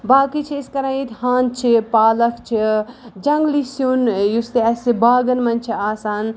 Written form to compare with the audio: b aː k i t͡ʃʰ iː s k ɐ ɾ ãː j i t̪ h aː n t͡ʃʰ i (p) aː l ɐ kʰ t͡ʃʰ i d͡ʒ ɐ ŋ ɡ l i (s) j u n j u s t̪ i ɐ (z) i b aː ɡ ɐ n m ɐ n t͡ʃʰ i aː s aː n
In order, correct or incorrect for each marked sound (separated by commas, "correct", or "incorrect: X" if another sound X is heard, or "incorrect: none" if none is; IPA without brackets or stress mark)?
correct, correct, incorrect: s